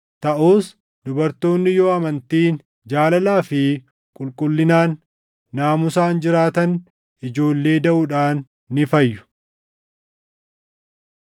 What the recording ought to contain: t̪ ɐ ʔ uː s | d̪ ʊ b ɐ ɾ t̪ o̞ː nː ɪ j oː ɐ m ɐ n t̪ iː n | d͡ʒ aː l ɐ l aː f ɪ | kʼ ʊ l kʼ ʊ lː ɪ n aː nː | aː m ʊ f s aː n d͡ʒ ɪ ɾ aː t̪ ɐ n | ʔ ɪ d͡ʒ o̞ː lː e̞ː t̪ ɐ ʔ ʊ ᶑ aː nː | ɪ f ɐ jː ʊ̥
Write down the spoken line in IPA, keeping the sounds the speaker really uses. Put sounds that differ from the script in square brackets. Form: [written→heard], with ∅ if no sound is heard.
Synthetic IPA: t̪ ɐ ʔ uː s | d̪ ʊ b ɐ ɾ t̪ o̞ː nː ɪ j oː ɐ m ɐ n t̪ iː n | d͡ʒ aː l ɐ l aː f ɪ | kʼ ʊ l kʼ ʊ lː ɪ n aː nː | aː m ʊ [f→∅] s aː n d͡ʒ ɪ ɾ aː t̪ ɐ n | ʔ ɪ d͡ʒ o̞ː lː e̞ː [t̪→d̪] ɐ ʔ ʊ ᶑ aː nː | ɪ f ɐ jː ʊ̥